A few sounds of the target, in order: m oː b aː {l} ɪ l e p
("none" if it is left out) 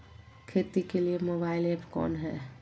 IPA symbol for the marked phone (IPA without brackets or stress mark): none